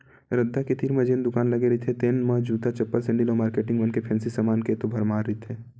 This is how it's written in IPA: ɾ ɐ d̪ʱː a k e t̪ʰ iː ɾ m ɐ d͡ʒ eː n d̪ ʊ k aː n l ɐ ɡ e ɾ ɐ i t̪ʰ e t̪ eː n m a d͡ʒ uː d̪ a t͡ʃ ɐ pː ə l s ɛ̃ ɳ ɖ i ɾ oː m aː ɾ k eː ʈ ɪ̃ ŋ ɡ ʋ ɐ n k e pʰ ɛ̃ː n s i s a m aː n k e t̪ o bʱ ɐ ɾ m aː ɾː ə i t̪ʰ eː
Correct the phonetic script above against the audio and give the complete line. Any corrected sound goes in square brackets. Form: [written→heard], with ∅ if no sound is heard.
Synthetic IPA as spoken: ɾ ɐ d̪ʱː a k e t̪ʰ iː ɾ m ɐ d͡ʒ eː n d̪ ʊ k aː n l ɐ ɡ e ɾ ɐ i t̪ʰ e t̪ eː n m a d͡ʒ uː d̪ a t͡ʃ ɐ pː ə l s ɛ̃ ɳ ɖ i [ɾ→l] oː m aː ɾ k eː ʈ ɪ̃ ŋ ɡ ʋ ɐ n k e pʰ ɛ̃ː n s i s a m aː n k e t̪ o bʱ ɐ ɾ m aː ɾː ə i t̪ʰ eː